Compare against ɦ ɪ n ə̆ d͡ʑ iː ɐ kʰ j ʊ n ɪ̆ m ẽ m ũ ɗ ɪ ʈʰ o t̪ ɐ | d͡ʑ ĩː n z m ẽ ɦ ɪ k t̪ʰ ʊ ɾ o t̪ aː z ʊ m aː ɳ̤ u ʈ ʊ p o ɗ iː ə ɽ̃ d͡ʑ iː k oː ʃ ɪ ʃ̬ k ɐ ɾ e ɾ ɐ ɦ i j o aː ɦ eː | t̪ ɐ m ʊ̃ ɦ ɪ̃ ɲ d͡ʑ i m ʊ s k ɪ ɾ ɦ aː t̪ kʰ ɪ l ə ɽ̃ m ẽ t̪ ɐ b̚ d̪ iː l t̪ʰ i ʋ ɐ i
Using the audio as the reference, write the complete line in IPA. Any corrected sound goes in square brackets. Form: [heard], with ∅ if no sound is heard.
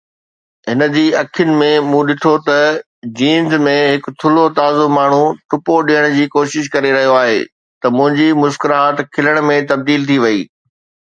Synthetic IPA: ɦ ɪ n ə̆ d͡ʑ iː ɐ kʰ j ʊ n ɪ̆ m ẽ m ũ ɗ ɪ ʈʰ o t̪ ɐ | d͡ʑ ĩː n z m ẽ ɦ ɪ k t̪ʰ ʊ [l] o t̪ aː z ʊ m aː ɳ̤ u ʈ ʊ p o ɗ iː ə ɽ̃ d͡ʑ iː k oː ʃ ɪ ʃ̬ k ɐ ɾ e ɾ ɐ ɦ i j o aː ɦ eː | t̪ ɐ m ʊ̃ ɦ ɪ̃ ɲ d͡ʑ i m ʊ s k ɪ ɾ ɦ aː t̪ kʰ ɪ l ə ɽ̃ m ẽ t̪ ɐ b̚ d̪ iː l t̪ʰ i ʋ ɐ [iː]

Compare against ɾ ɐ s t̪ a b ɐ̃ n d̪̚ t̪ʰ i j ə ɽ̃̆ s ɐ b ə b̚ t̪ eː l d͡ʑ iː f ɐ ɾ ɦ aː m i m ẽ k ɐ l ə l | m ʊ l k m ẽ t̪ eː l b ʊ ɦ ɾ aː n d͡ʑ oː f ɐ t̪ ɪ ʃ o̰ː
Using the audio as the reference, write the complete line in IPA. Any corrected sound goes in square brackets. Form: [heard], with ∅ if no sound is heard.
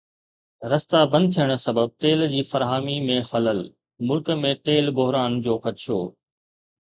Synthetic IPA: ɾ ɐ s t̪ a b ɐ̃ n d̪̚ t̪ʰ i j ə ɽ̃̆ s ɐ b ə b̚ t̪ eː l d͡ʑ iː f ɐ ɾ ɦ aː m i m ẽ [x] ɐ l ə l | m ʊ l k m ẽ t̪ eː l b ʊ ɦ ɾ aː n d͡ʑ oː [x] ɐ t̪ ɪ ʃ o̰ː

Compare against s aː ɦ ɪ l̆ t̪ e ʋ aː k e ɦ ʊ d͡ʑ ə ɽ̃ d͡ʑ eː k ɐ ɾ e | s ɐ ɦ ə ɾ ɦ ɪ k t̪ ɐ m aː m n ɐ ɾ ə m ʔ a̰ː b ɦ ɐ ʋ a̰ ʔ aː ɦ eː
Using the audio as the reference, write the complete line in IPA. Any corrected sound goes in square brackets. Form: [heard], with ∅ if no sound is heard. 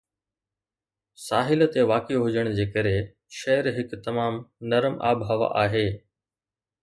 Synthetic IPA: s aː ɦ ɪ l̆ t̪ e ʋ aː k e ɦ ʊ d͡ʑ ə ɽ̃ d͡ʑ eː k ɐ ɾ e | [ʃ] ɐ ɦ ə ɾ ɦ ɪ k t̪ ɐ m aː m n ɐ ɾ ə m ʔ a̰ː b ɦ ɐ ʋ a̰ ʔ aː ɦ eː

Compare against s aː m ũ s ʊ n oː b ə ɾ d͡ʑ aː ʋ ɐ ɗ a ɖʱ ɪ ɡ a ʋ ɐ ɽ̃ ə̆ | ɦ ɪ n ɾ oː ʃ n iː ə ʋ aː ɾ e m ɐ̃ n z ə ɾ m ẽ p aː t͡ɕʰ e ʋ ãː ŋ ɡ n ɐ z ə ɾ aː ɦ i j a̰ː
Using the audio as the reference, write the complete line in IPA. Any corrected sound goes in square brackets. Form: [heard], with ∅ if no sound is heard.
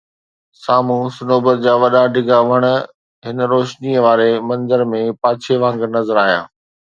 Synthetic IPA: s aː m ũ s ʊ n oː b ə ɾ d͡ʑ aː ʋ ɐ ɗ a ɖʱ ɪ ɡ a ʋ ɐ ɽ̃ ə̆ | ɦ ɪ n ɾ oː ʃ n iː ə ʋ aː ɾ e m ɐ̃ n z ə ɾ m ẽ p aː t͡ɕʰ e ʋ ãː ŋ ɡ n ɐ z ə ɾ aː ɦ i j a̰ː

